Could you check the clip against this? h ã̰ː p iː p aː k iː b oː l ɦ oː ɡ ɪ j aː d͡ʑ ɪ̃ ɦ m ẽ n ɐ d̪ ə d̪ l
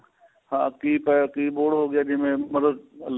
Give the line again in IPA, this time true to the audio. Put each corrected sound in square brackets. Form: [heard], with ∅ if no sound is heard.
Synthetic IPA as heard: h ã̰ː [k] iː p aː k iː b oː [ɽ] ɦ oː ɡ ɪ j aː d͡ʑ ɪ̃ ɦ m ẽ [m] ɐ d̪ ə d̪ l

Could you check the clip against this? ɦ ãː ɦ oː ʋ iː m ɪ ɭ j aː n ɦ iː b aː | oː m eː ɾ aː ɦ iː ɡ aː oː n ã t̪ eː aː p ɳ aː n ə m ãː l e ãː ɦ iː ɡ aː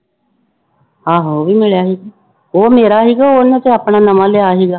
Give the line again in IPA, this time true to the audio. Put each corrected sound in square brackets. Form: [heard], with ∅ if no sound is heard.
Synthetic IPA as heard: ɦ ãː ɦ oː ʋ iː m ɪ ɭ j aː [∅] ɦ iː [ɡ] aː | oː m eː ɾ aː ɦ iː ɡ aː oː n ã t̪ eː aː p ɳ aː n ə m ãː l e [aː] ɦ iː ɡ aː

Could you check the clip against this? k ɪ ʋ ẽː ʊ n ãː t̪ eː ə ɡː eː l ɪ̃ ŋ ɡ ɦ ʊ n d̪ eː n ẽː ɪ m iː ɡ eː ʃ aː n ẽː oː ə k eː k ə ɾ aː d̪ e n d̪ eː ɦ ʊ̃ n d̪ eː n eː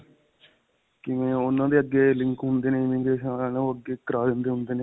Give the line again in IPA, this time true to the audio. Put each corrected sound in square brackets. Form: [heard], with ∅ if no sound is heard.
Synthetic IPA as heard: k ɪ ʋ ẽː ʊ n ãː [d̪] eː ə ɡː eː l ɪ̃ ŋ [k] ɦ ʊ n d̪ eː n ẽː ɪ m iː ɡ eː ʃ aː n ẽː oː ə [ɡ] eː k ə ɾ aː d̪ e n d̪ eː ɦ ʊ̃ n d̪ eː n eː

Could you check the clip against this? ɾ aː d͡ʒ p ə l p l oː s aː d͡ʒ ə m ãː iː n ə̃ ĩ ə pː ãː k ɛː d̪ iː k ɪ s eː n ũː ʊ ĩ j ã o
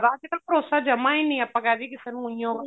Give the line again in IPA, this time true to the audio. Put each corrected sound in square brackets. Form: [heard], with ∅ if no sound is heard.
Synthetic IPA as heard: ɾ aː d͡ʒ [k] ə l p [ɾ] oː s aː d͡ʒ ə m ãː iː n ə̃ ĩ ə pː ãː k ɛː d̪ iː k ɪ s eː n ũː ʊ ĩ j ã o

